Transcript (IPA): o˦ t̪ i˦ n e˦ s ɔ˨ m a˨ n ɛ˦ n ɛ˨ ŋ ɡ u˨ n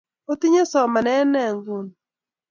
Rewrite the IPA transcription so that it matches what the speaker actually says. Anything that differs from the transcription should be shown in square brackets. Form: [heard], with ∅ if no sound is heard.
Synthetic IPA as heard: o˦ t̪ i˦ [ɲ] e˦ s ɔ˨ m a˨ n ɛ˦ n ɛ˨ ŋ ɡ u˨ n